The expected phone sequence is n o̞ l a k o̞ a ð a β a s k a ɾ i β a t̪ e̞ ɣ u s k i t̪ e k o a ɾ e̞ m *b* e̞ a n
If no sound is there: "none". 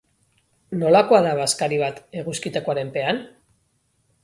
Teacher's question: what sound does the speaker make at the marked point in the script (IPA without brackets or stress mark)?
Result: p